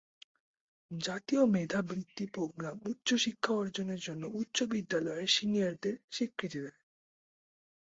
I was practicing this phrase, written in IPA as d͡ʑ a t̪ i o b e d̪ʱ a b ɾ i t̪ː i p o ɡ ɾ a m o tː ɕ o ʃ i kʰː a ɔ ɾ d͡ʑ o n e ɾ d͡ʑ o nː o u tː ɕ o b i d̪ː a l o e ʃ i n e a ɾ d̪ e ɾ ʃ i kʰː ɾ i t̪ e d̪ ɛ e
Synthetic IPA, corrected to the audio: d͡ʑ a t̪ i o m e d̪ʱ a b ɾ i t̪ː i p o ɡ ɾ a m u tː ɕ o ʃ i kʰː a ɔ ɾ d͡ʑ o n e ɾ d͡ʑ o nː o u tː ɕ o b i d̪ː a l ɔ e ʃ i n i a ɾ d̪ e ɾ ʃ i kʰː ɾ i t̪ i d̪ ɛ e

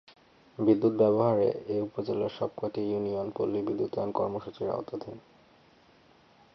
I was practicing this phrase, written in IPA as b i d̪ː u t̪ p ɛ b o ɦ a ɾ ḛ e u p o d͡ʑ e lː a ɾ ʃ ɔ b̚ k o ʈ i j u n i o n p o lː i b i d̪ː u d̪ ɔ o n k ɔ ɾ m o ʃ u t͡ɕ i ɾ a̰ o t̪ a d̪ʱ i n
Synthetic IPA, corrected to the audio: b i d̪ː u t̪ b ɛ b o ɦ a ɾ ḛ e u p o d͡ʑ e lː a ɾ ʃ ɔ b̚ k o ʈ i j u n i o n p o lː i b i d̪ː u t̪ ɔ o n k ɔ ɾ m o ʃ u t͡ɕ i ɾ a̰ o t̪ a d̪ʱ i n

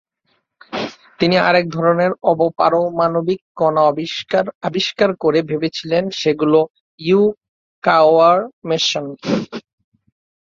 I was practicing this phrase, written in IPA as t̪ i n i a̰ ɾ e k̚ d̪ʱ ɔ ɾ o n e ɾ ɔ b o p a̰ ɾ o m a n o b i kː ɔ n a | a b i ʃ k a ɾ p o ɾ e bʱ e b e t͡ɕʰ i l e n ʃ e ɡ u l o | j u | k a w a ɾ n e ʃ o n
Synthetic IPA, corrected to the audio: t̪ i n i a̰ ɾ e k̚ d̪ʱ ɔ ɾ o n e ɾ ɔ b o p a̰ ɾ o m a n o b i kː ɔ n a | a b i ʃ k a ɾ k o ɾ e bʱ e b e t͡ɕʰ i l e n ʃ e ɡ u l o | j u | k a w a ɾ m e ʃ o n

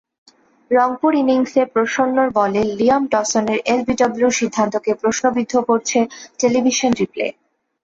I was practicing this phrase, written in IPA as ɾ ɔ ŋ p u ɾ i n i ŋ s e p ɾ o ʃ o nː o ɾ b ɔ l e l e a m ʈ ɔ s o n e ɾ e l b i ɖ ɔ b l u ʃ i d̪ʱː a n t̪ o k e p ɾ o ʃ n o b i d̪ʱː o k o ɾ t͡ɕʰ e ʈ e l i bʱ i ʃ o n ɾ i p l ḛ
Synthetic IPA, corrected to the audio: ɾ ɔ ŋ p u ɾ i n i ŋ s e p ɾ o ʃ o nː o ɾ b ɔ l e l i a m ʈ ɔ s o n e ɾ e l b i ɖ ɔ b l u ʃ i d̪ʱː a n t̪ o k e p ɾ o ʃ n o b i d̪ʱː o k o ɾ t͡ɕʰ e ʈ e l i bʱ i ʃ o n ɾ i p l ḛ

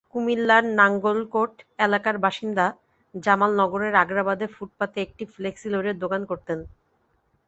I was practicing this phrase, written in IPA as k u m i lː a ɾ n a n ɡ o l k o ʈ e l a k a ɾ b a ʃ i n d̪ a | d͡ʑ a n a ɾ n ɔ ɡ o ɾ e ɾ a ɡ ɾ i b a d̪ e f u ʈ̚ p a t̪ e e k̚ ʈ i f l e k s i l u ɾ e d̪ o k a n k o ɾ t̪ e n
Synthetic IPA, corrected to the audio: k u m i lː a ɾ n a ŋ ɡ o l k o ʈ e l a k a ɾ b a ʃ i n d̪ a | d͡ʑ a m a l n ɔ ɡ o ɾ e ɾ a ɡ ɾ a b a d̪ e f u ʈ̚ p a t̪ e e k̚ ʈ i f l e k s i l o ɾ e d̪ o k a n k o ɾ t̪ e n

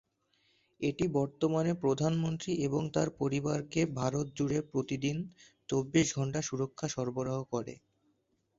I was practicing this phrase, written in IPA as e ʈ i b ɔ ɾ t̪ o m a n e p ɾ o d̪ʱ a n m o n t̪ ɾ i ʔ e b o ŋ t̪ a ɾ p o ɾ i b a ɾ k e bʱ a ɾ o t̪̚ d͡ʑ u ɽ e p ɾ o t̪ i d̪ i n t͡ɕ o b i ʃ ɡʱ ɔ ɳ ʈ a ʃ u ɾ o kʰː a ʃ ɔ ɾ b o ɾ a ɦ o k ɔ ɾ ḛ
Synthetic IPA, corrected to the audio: e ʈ i b ɔ ɾ t̪ o m a n e p ɾ o d̪ʱ a n m o n t̪ ɾ i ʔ e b o ŋ t̪ a ɾ p o ɾ i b a ɾ k e bʱ a ɾ o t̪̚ d͡ʑ u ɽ e p ɾ o t̪ i d̪ i n t͡ɕ o bː i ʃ ɡʱ ɔ ɳ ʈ a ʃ u ɾ o kʰː a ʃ ɔ ɾ b o ɾ a ɦ o k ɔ ɾ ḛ

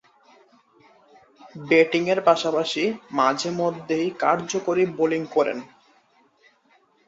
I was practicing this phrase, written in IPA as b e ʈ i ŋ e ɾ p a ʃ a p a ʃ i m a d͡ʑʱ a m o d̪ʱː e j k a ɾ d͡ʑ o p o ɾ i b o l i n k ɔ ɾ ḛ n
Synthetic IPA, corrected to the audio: b e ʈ i ŋ e ɾ p a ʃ a p a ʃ i m a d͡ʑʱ e m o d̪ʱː e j k a ɾ d͡ʑ o k o ɾ i b o l i ŋ k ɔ ɾ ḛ n

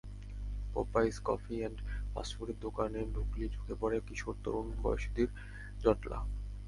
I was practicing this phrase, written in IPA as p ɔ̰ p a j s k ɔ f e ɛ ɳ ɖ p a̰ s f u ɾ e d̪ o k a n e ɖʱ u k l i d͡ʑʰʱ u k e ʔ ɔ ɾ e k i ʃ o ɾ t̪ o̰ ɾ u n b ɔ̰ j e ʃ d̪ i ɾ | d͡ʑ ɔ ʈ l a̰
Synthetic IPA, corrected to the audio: p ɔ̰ p a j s k ɔ f i ɛ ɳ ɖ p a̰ s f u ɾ e d̪ o k a n e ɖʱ u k l i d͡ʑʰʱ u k e p ɔ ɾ e k i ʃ o ɾ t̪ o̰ ɾ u n b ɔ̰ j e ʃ d̪ i ɾ | d͡ʑ ɔ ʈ l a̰

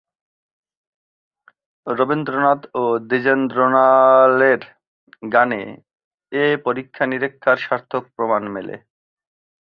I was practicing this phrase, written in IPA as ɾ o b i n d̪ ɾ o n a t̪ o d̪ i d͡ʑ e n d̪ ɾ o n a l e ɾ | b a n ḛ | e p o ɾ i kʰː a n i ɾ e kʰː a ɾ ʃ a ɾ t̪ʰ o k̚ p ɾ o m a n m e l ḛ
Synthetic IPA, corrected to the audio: ɾ o b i n d̪ ɾ o n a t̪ o d̪ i d͡ʑ e n d̪ ɾ o n a l e ɾ | ɡ a n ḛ | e p o ɾ i kʰː a n i ɾ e kʰː a ɾ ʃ a ɾ t̪ʰ o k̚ p ɾ o m a n m e l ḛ

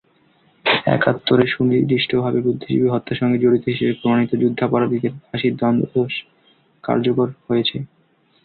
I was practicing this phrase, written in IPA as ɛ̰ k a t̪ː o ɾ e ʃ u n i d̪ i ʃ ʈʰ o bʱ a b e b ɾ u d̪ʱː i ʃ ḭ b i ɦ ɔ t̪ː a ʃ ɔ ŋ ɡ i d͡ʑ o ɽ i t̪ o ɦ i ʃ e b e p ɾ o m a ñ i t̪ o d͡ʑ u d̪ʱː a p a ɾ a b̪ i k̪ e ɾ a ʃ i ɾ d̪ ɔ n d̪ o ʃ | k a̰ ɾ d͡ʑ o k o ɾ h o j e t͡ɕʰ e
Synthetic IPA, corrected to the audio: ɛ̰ k a t̪ː o ɾ e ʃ u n i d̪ i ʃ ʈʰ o bʱ a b e b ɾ u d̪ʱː i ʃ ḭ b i ɦ ɔ t̪ː a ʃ ɔ ŋ ɡ e d͡ʑ o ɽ i t̪ o ɦ i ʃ e b e p ɾ o m a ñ i t̪ o d͡ʑ u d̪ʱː a p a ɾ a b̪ i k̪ e ɾ a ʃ i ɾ d̪ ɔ n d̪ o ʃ | k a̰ ɾ d͡ʑ o k o ɾ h o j e t͡ɕʰ e

